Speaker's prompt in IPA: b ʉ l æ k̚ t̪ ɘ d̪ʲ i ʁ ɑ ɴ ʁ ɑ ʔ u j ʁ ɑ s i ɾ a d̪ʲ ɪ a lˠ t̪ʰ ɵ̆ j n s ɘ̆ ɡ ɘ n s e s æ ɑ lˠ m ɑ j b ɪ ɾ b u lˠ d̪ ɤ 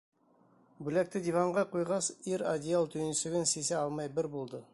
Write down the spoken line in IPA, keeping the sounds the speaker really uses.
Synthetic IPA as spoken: b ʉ l æ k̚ t̪ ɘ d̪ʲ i v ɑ ɴ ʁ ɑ q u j ʁ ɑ s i ɾ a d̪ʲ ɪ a lˠ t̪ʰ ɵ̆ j n s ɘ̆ ɡ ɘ n s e s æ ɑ lˠ m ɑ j b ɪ ɾ b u lˠ d̪ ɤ